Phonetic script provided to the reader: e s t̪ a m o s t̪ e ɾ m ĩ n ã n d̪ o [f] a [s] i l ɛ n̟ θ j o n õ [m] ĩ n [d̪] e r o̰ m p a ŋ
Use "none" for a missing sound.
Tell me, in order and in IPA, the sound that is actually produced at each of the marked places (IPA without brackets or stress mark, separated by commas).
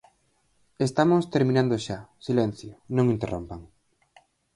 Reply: ʃ, s, ŋ, t̪